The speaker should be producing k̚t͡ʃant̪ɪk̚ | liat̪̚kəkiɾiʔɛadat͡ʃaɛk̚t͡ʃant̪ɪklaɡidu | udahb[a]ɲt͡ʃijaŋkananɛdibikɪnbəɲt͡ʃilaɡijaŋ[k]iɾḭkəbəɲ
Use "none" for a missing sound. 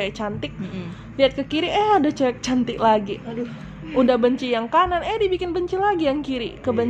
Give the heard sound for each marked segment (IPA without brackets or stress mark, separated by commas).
ə, k